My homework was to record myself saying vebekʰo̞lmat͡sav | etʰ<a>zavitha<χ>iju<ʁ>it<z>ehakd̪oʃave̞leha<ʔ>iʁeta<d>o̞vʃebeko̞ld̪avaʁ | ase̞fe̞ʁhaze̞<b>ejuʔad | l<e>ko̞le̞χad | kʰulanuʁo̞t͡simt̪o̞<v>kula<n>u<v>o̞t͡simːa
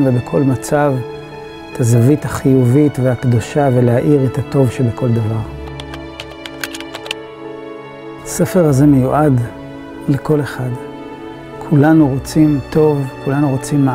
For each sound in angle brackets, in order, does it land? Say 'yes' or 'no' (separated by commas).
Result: yes, yes, no, no, yes, no, no, yes, yes, yes, no